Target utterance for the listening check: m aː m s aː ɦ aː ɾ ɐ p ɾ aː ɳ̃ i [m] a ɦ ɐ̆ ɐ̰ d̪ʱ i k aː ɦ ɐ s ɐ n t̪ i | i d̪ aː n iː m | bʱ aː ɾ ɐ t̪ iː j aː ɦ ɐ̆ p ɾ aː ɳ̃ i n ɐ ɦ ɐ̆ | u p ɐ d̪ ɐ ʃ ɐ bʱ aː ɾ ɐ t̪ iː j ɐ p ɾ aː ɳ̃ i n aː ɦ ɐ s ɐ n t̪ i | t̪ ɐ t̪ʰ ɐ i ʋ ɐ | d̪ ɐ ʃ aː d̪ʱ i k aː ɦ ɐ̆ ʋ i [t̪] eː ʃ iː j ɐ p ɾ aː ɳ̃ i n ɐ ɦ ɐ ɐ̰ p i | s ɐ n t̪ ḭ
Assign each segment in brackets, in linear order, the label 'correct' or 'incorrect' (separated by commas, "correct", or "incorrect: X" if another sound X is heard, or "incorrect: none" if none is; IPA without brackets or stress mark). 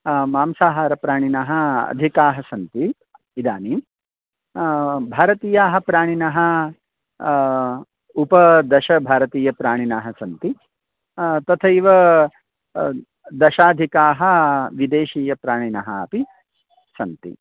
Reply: incorrect: n, incorrect: d̪